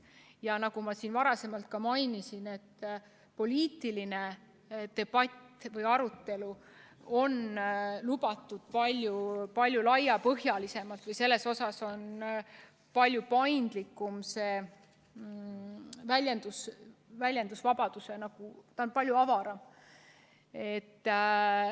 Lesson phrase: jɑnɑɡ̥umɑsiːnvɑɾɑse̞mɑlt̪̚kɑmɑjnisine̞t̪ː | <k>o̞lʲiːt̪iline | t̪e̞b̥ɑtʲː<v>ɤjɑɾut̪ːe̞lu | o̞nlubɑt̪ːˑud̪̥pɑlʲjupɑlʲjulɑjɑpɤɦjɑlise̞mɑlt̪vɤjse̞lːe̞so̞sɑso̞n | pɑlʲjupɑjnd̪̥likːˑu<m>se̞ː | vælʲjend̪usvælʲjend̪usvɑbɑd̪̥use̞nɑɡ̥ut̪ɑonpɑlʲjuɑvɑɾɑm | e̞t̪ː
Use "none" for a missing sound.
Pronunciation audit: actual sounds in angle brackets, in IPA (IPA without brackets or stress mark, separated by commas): p, v, m